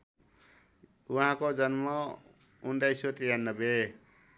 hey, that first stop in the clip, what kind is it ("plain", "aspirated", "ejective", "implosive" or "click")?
plain